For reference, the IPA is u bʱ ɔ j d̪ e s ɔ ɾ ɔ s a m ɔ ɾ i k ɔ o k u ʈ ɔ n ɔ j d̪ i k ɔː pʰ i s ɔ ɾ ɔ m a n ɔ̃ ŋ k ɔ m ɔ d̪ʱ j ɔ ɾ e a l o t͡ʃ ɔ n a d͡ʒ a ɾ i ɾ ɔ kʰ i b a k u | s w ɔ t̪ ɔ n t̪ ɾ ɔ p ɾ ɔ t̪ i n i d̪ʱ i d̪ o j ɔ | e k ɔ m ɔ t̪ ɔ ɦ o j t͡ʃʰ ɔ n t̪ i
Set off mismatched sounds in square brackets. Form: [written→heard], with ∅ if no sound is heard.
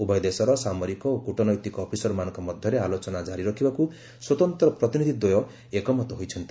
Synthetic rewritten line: u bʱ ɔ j d̪ e s ɔ ɾ ɔ s a m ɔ ɾ i k ɔ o k u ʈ ɔ n ɔ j [d̪→t̪] i k ɔː pʰ i s ɔ ɾ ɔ m a n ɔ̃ ŋ k ɔ m ɔ d̪ʱ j ɔ ɾ e a l o t͡ʃ ɔ n a d͡ʒ a ɾ i ɾ ɔ kʰ i b a k u | s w ɔ t̪ ɔ n t̪ ɾ ɔ p ɾ ɔ t̪ i n i d̪ʱ i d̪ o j ɔ | e k ɔ m ɔ t̪ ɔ ɦ o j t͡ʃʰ ɔ n t̪ i